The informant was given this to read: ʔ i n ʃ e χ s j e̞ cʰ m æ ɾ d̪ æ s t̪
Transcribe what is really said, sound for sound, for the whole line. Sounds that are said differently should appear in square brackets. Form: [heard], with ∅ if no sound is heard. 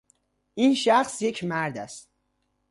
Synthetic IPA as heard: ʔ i n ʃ [æ] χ s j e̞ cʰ m æ ɾ d̪ æ s t̪